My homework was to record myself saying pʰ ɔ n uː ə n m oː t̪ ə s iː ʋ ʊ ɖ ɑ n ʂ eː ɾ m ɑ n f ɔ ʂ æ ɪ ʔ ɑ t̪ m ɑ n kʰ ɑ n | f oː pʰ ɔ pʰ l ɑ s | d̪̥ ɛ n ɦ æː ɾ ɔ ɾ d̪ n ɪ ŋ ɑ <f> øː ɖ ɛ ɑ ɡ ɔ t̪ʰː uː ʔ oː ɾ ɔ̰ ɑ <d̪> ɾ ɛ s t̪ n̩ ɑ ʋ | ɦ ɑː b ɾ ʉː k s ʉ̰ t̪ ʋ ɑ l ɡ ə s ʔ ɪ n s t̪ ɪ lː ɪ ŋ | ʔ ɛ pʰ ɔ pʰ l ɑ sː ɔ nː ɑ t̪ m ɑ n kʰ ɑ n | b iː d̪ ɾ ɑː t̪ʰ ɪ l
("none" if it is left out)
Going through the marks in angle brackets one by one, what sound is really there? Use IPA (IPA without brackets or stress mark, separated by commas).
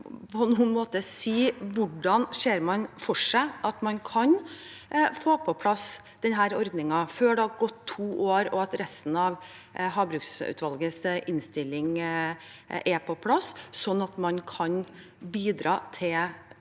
f, t̪